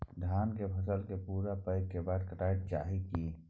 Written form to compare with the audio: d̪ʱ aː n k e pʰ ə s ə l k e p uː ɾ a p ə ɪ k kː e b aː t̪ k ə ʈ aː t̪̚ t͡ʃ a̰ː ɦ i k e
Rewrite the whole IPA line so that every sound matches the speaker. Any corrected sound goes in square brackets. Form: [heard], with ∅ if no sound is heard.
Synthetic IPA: d̪ʱ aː n k e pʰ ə s ə l k e p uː ɾ a p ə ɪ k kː e b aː [d̪] k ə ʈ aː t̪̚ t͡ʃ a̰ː ɦ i k [i]